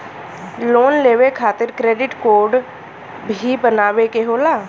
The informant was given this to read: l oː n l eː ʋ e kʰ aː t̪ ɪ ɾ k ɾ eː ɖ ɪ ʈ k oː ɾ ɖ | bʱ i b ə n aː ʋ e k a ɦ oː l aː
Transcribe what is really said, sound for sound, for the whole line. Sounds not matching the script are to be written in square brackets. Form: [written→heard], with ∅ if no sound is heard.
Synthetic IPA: l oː n l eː ʋ e kʰ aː t̪ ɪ ɾ k ɾ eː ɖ ɪ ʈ k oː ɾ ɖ | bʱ i b ə n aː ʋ e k [a→e] ɦ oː l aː